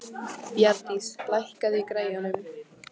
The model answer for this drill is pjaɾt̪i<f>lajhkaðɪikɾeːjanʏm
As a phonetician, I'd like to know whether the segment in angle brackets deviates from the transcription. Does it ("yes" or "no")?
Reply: yes